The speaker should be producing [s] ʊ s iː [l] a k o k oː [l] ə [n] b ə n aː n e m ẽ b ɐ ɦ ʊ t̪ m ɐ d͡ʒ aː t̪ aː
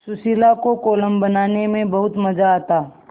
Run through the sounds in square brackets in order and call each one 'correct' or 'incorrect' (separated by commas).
correct, correct, correct, incorrect